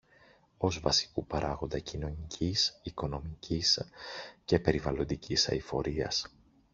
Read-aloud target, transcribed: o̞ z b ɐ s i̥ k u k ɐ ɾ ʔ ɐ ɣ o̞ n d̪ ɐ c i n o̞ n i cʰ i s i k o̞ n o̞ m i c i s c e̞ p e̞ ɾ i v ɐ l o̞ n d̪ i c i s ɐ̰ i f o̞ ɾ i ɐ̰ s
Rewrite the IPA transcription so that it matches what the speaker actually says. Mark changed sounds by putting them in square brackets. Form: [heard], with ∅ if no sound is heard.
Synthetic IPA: o̞ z [v] ɐ s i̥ k u [p] ɐ ɾ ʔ ɐ ɣ o̞ n d̪ ɐ c i n o̞ n i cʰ i s i k o̞ n o̞ m i c i s c e̞ p e̞ ɾ i v ɐ l o̞ n d̪ i c i s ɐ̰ i f o̞ ɾ i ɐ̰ s